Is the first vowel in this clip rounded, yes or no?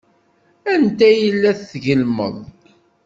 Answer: no